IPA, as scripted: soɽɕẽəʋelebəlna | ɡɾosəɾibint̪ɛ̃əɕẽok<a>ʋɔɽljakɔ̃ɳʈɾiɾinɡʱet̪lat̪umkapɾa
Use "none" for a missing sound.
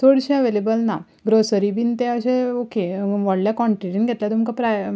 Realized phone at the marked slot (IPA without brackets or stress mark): e